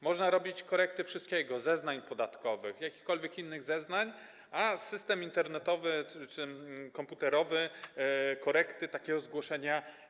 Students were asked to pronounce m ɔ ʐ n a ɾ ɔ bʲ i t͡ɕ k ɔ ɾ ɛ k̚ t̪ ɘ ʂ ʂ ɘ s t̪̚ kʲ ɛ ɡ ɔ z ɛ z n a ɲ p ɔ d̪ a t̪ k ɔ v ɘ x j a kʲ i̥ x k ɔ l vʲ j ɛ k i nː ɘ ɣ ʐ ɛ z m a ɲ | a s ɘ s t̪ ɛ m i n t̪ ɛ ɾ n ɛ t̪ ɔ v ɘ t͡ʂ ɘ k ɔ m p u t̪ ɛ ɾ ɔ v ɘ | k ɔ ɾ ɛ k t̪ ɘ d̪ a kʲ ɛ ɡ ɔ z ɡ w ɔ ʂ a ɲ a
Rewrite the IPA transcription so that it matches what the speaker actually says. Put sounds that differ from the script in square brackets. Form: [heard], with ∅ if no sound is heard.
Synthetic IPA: m ɔ ʐ n a ɾ ɔ bʲ i t͡ɕ k ɔ ɾ ɛ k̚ t̪ ɘ [f] ʂ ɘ s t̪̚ kʲ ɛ ɡ ɔ z ɛ z n a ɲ p ɔ d̪ a t̪ k ɔ v ɘ x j a kʲ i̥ x k ɔ l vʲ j ɛ k i nː ɘ ɣ [z] ɛ z [n] a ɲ | a s ɘ s t̪ ɛ m i n t̪ ɛ ɾ n ɛ t̪ ɔ v ɘ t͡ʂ ɘ k ɔ m p u t̪ ɛ ɾ ɔ v ɘ | k ɔ ɾ ɛ k t̪ ɘ [t̪] a kʲ ɛ ɡ ɔ z ɡ w ɔ ʂ [ɛ] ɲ a